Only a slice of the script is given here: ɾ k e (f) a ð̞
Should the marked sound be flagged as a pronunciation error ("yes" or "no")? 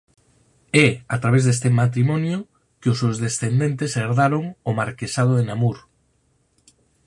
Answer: yes